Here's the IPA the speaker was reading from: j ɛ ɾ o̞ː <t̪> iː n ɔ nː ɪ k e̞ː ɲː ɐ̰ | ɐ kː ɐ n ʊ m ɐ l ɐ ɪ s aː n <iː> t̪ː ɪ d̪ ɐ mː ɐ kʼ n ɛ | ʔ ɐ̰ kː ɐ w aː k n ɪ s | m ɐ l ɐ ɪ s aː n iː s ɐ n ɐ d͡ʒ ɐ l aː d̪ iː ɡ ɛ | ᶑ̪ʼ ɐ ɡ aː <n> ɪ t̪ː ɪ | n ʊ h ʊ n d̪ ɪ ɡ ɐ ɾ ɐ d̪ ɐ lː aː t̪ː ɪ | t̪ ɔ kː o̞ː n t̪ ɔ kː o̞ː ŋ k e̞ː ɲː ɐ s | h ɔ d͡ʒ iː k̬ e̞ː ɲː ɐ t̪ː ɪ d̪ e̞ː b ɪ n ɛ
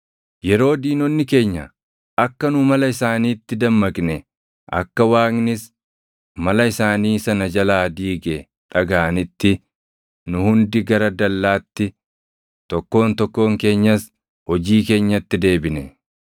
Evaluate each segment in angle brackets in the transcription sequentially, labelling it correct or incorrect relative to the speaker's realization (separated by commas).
incorrect, correct, correct